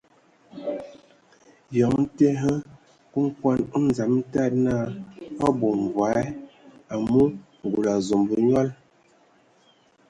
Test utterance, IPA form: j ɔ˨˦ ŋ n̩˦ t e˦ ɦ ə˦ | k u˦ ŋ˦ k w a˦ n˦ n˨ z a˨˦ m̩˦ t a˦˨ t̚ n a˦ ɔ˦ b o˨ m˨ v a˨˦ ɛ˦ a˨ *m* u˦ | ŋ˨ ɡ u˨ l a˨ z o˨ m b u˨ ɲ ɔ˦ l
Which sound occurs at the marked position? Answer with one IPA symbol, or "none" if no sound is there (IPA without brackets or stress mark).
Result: m